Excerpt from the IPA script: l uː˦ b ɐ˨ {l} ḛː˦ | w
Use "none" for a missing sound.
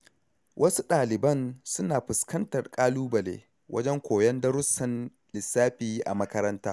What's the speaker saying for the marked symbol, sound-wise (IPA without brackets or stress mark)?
l